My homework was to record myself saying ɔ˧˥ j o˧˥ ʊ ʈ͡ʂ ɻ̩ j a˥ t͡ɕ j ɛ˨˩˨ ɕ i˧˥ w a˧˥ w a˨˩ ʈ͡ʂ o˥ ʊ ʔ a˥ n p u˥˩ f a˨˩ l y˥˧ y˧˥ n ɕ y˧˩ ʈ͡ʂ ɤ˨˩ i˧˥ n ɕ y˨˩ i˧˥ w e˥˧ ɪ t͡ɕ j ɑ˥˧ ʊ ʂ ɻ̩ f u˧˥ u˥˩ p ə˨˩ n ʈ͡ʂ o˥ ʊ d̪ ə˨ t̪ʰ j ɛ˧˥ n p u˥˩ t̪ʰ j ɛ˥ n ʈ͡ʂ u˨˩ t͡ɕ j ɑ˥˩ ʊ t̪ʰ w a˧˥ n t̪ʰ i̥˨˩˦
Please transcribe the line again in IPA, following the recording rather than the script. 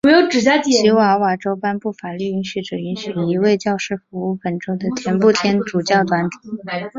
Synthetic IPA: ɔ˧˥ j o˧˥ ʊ ʈ͡ʂ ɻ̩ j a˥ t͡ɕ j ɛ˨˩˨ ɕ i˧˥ w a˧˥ w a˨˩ ʈ͡ʂ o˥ ʊ p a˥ n p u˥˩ f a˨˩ l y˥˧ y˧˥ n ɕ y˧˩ ʈ͡ʂ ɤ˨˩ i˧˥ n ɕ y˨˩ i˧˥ w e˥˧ ɪ t͡ɕ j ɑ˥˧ ʊ ʂ ɻ̩ f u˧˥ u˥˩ p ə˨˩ n ʈ͡ʂ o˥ ʊ d̪ ə˨ t̪ʰ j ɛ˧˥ n p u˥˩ t̪ʰ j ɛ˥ n ʈ͡ʂ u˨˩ t͡ɕ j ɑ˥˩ ʊ t̪ w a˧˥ n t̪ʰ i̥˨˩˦